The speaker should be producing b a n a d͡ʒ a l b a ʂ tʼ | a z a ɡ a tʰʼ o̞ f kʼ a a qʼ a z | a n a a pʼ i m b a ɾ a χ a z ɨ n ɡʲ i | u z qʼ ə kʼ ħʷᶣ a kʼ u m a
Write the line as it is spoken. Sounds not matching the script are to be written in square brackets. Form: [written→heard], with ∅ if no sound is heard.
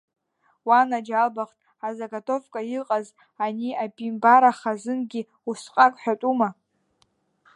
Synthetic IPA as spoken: [b→w] a n a d͡ʒ a l b a [ʂ→χ] tʼ | a z a ɡ a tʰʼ o̞ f kʼ a [a→i] qʼ a z | a n [a→i] a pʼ i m b a ɾ a χ a z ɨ n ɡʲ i | u [z→s] qʼ [ə→a] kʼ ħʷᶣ a [kʼ→tʼ] u m a